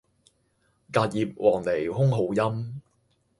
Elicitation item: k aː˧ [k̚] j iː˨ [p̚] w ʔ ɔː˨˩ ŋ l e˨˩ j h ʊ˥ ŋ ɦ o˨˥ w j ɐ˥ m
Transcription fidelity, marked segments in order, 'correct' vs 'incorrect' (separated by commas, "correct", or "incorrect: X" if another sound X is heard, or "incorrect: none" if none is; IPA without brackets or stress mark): incorrect: t̚, correct